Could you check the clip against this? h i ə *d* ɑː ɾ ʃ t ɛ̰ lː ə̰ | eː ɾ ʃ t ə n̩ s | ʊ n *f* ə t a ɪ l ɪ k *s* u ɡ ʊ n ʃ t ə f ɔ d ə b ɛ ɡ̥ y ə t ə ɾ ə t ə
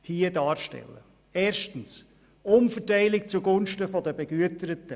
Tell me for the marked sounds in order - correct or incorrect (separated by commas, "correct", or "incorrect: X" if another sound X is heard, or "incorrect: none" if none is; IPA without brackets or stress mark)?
correct, correct, incorrect: t͡s